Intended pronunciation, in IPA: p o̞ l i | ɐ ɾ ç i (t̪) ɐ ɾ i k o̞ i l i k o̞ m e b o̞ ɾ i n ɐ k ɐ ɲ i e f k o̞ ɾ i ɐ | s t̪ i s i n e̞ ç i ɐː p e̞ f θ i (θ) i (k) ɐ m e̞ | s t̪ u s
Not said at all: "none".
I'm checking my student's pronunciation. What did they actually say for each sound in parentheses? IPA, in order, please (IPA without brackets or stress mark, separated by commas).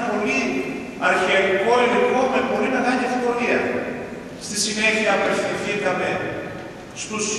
none, θ, k